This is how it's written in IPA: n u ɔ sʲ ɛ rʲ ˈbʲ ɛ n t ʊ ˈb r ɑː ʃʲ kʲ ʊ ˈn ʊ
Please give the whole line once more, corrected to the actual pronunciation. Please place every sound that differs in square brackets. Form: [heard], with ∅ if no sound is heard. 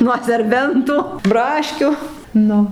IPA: n u ɔ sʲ ɛ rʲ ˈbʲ ɛ n t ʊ ˈb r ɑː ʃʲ kʲ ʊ ˈn ʊ